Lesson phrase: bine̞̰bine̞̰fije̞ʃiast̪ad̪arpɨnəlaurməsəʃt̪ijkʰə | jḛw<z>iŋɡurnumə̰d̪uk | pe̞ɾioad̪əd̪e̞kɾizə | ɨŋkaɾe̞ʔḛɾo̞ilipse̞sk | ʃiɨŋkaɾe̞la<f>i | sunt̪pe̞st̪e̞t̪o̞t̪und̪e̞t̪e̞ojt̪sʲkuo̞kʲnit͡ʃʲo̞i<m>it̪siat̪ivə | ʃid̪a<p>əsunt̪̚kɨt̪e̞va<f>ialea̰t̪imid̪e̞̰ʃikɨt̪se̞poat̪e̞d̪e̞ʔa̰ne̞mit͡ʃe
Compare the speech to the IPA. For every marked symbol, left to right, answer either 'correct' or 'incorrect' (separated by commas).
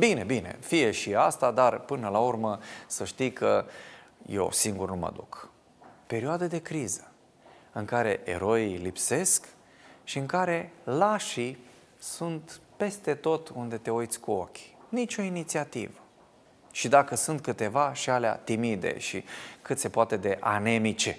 incorrect, incorrect, incorrect, incorrect, incorrect